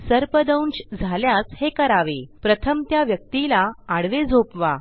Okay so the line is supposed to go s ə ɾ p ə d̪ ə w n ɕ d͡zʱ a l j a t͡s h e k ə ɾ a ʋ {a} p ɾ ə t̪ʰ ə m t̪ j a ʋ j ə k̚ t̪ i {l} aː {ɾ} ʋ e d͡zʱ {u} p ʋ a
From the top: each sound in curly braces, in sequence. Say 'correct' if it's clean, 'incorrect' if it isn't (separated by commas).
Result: incorrect, correct, incorrect, incorrect